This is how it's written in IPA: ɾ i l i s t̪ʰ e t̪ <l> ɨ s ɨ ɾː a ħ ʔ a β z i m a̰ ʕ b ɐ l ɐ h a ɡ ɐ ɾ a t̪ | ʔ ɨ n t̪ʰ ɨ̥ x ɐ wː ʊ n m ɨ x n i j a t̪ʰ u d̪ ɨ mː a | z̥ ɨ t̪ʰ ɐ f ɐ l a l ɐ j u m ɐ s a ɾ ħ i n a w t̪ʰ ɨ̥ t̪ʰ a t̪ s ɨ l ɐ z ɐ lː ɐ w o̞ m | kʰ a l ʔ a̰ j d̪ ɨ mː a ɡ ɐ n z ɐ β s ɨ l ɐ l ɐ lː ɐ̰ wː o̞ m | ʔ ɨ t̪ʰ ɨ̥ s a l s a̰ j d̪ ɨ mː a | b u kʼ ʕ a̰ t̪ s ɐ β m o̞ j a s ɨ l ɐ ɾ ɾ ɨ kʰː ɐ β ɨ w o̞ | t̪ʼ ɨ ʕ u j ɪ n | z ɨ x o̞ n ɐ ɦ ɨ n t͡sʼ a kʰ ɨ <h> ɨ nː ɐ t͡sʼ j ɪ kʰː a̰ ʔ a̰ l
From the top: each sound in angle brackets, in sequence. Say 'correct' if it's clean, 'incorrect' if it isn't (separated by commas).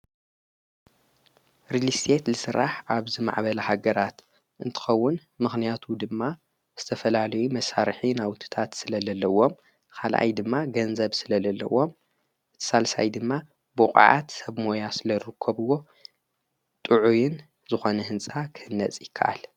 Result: correct, correct